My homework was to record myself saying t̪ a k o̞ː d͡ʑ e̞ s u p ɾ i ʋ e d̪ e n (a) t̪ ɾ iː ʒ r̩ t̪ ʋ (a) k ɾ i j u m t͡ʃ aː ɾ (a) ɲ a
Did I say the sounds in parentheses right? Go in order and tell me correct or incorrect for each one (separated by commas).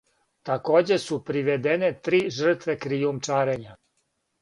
incorrect, incorrect, incorrect